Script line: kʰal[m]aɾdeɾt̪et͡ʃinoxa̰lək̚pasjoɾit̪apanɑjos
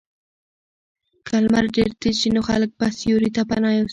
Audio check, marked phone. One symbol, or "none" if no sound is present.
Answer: m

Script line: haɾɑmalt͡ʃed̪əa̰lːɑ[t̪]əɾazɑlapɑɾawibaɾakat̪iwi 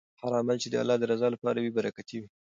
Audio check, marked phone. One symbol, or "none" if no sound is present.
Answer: d̪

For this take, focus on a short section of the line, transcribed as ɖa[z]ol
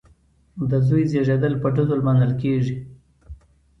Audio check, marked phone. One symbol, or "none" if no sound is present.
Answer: z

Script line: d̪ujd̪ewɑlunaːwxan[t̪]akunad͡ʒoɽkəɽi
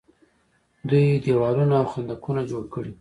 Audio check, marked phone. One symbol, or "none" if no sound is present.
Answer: d̪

